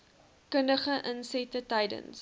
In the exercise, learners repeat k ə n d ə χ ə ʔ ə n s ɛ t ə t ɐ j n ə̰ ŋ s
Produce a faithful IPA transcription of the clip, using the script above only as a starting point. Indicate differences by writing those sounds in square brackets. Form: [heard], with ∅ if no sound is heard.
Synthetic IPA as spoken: k ə n d ə χ ə ʔ ə n s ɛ t ə t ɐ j [d] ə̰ [n] s